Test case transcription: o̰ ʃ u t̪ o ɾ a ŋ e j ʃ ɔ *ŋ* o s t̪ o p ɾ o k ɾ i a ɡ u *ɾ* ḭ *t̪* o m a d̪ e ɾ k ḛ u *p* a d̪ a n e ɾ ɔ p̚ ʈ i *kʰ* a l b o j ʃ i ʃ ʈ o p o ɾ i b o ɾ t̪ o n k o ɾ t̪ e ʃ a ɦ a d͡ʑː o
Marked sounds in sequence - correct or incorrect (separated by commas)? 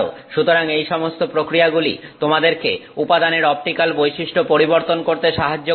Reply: incorrect, incorrect, correct, correct, incorrect